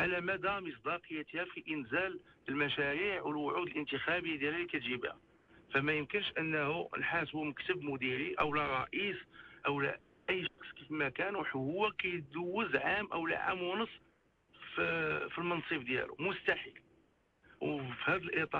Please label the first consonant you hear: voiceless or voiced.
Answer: voiced